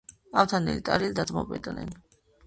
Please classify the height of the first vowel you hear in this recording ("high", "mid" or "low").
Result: low